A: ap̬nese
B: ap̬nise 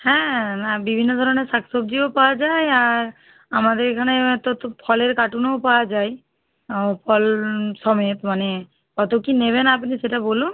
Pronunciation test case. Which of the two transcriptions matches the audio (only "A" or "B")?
B